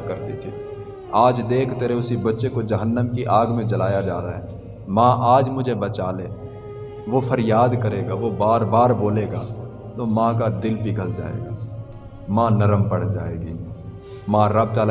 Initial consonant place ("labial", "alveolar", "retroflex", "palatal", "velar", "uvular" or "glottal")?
velar